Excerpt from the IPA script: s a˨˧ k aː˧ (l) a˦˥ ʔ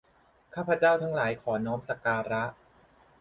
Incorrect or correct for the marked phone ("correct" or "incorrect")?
incorrect